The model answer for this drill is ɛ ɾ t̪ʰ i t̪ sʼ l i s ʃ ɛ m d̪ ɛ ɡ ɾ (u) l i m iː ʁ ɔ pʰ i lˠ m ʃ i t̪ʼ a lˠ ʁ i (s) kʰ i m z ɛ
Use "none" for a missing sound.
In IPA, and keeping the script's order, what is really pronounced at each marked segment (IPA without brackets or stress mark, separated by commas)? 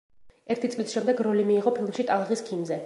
ɔ, s